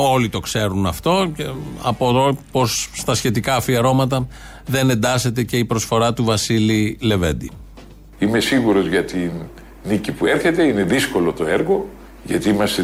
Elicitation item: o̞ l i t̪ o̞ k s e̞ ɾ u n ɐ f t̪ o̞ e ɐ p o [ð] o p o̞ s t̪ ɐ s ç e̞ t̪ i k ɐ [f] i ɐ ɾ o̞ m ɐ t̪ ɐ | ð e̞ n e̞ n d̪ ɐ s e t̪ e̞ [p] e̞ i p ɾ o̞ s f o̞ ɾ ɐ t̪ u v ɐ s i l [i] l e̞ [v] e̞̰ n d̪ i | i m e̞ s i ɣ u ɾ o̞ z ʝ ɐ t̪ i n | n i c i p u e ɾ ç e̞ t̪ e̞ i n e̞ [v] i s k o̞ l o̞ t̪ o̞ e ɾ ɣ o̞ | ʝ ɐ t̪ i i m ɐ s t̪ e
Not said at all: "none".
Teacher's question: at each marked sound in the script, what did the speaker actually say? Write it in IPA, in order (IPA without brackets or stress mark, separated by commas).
ð, f, c, i, v, ð